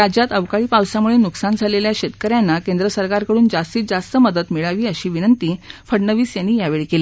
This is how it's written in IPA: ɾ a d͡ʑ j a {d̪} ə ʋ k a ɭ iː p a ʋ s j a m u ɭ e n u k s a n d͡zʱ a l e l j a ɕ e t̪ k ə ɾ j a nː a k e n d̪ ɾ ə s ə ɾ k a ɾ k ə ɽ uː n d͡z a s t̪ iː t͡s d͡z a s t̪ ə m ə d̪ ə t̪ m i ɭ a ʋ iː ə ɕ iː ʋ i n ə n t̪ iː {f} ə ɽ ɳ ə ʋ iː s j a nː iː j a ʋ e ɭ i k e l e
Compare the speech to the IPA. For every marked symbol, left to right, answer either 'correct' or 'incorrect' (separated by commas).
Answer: incorrect, correct